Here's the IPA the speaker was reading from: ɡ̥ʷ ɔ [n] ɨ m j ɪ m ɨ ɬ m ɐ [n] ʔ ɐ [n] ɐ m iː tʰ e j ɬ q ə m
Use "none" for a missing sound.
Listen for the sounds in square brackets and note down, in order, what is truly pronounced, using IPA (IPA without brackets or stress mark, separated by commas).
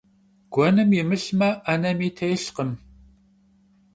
n, none, n